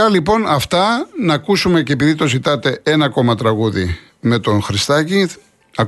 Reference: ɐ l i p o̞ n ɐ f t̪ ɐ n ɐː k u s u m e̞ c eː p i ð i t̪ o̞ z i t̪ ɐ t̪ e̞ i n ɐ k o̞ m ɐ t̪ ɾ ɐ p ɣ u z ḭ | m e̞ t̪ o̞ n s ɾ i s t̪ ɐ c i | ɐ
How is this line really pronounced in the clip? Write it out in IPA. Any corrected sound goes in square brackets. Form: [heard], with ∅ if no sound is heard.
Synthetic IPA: ɐ l i p o̞ n ɐ f t̪ ɐ n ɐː k u s u m e̞ c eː p i ð i t̪ o̞ z i t̪ ɐ t̪ e̞ [e] n ɐ k o̞ m ɐ t̪ ɾ ɐ [∅] ɣ u [ð] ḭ | m e̞ t̪ o̞ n [x] ɾ i s t̪ ɐ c i | ɐ